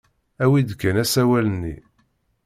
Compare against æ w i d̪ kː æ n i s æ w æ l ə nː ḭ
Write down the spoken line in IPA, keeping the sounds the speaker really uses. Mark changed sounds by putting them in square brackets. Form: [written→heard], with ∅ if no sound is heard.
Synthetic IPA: æ w i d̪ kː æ n [i→æ] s æ w æ l ə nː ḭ

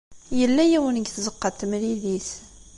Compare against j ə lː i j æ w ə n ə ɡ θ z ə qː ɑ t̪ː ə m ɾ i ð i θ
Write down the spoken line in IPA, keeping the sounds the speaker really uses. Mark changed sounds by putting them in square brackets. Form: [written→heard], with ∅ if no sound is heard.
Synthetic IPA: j ə lː [i→æ] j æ w ə n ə ɡ θ z ə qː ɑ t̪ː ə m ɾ i ð i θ

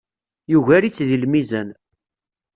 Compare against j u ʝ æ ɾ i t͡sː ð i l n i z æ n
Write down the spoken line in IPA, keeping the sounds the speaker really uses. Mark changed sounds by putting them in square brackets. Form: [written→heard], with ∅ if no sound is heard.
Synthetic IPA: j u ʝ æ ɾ i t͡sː ð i l [n→m] i z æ n

